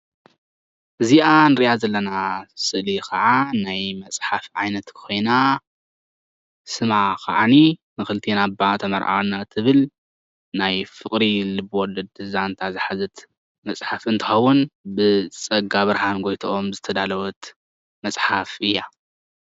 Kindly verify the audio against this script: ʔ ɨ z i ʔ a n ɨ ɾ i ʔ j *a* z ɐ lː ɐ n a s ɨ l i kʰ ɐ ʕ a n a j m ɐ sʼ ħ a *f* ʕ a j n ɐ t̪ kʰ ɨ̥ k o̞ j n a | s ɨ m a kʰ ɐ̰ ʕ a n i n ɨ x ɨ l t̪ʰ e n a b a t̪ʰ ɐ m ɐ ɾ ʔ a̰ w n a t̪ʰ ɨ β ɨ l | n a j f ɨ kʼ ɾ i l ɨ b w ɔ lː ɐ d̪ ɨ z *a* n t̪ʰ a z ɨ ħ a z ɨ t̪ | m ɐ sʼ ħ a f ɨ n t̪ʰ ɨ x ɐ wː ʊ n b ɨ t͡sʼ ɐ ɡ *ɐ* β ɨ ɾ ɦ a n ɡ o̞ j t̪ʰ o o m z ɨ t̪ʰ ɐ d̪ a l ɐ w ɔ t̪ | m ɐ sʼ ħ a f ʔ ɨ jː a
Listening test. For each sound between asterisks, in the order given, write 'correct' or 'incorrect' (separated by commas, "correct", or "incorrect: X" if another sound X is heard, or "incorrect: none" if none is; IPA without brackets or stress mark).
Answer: correct, correct, correct, incorrect: a